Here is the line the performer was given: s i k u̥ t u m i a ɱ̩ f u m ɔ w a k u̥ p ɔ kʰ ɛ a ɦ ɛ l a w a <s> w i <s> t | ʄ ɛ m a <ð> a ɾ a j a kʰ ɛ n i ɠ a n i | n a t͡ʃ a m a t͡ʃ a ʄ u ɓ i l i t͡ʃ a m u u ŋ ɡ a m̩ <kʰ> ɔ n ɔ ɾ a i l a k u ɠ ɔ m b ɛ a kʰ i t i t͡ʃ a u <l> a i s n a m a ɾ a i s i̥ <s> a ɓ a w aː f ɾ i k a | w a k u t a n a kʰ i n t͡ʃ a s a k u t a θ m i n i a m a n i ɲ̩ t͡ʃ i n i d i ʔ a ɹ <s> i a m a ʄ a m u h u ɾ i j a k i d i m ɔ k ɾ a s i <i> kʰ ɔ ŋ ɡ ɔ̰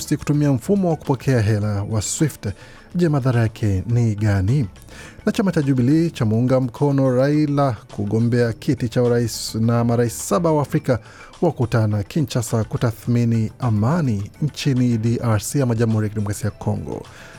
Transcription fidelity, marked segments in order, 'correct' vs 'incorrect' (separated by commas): correct, incorrect, correct, correct, incorrect, correct, correct, incorrect